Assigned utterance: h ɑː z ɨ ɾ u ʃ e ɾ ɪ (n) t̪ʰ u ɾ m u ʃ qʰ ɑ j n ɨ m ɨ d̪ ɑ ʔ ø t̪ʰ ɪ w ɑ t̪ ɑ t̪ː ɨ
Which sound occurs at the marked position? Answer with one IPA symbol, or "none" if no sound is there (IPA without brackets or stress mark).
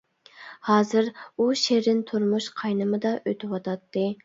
n